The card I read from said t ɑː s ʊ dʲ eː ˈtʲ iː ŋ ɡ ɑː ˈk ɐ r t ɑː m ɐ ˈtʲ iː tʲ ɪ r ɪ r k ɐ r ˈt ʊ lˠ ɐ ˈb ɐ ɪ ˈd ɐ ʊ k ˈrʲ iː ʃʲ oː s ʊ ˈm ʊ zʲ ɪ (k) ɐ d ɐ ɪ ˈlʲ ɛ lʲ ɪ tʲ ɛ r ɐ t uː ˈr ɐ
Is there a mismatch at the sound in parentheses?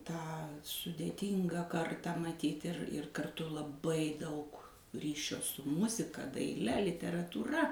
no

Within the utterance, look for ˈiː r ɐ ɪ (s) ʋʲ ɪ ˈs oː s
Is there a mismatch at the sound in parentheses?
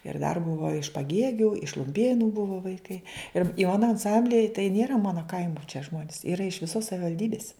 yes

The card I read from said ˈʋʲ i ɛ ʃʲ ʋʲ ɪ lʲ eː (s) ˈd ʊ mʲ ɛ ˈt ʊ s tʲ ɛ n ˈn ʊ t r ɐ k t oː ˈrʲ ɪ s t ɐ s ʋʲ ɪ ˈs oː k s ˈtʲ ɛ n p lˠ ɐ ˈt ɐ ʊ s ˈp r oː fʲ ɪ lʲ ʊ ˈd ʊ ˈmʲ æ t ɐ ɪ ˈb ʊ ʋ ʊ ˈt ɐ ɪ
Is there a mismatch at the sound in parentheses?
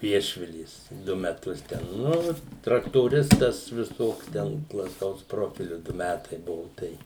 no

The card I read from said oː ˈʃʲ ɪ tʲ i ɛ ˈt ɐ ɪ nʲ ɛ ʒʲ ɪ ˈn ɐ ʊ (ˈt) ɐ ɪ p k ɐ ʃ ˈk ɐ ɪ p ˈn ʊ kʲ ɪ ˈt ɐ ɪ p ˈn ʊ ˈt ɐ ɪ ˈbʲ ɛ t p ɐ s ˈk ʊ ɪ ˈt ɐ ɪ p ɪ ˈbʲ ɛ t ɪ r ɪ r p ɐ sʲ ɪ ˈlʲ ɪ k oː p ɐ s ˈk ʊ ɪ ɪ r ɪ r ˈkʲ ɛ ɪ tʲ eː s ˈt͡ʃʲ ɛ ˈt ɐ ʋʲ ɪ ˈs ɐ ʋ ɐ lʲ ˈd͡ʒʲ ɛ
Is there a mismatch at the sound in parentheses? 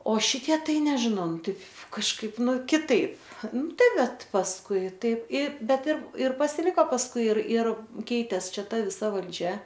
no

